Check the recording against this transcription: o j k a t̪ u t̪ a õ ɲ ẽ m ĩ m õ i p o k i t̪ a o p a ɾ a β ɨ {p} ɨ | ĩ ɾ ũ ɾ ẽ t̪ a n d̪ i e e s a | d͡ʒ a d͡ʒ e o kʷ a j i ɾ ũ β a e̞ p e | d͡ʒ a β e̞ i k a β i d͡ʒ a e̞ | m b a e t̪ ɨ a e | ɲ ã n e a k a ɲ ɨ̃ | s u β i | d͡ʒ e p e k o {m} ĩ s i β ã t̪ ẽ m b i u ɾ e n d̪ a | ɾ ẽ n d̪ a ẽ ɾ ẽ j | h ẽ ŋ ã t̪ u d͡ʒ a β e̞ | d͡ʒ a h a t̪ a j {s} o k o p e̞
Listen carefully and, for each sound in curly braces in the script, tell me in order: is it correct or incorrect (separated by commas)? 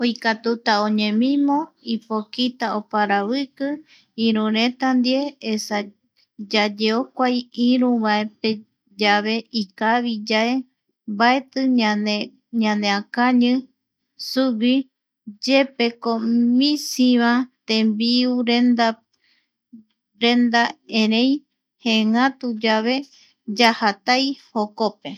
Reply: incorrect, correct, incorrect